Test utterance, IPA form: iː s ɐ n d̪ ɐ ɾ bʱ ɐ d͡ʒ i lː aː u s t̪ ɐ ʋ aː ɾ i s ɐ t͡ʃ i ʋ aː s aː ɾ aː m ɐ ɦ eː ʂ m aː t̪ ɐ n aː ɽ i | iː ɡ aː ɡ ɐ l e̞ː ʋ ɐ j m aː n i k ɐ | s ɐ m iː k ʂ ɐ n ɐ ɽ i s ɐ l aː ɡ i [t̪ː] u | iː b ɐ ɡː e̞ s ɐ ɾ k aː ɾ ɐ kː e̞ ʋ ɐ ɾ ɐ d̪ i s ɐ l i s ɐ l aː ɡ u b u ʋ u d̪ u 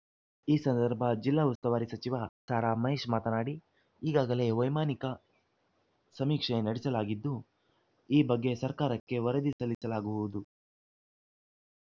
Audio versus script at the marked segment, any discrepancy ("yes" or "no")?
yes